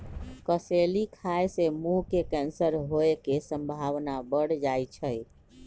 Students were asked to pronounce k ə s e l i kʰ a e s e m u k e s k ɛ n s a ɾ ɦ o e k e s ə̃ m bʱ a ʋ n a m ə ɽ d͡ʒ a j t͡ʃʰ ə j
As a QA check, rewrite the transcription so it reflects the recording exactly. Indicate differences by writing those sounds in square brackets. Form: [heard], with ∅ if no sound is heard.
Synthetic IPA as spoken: k ə s e l i kʰ a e s e m u k e [∅] k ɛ n s [ə] ɾ ɦ o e k e s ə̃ m bʱ a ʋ n a [b] ə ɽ d͡ʒ a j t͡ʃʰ ə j